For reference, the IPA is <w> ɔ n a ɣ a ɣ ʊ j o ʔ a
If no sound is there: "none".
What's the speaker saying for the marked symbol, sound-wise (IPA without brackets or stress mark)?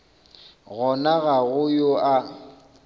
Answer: ɣ